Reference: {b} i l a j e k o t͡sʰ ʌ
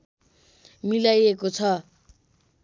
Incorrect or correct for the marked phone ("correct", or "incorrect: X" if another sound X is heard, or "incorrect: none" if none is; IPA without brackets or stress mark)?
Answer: incorrect: m